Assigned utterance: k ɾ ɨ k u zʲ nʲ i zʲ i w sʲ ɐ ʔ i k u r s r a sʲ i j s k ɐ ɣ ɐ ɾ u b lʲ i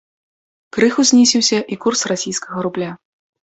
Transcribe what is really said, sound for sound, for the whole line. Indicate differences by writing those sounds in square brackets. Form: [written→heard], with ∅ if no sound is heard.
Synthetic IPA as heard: k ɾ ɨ [k→x] u zʲ nʲ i [zʲ→sʲ] i w sʲ ɐ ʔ i k u r s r a sʲ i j s k ɐ ɣ ɐ ɾ u b lʲ [i→a]